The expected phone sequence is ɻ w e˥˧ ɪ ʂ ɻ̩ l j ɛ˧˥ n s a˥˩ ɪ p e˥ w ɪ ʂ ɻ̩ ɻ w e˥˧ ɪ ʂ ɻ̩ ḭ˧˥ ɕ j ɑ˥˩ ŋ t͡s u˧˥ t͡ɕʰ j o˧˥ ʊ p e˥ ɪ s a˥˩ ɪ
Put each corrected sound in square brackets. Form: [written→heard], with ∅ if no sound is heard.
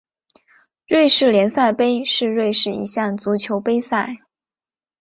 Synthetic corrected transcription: ɻ w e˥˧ ɪ ʂ ɻ̩ l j ɛ˧˥ n s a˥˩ ɪ p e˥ [w→∅] ɪ ʂ ɻ̩ ɻ w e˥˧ ɪ ʂ ɻ̩ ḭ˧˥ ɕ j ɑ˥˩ ŋ t͡s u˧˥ t͡ɕʰ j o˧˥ ʊ p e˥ ɪ s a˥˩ ɪ